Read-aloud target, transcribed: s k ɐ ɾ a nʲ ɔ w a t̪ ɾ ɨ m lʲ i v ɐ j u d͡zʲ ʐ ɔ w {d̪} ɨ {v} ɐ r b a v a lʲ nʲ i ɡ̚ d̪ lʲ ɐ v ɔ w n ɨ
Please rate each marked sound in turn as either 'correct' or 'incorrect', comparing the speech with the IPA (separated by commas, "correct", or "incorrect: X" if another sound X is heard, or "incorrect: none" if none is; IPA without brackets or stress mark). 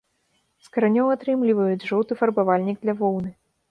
incorrect: t̪, incorrect: f